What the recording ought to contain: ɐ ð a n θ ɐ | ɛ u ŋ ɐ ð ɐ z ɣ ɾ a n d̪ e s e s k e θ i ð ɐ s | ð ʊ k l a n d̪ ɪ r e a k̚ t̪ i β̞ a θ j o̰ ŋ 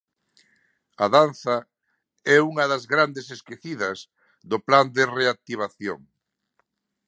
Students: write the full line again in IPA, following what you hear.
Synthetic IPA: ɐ ð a n θ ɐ | ɛ u ŋ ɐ ð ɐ z ɣ ɾ a n d̪ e s e s k e θ i ð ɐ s | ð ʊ p l a n d̪ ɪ r e a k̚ t̪ i β̞ a θ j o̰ ŋ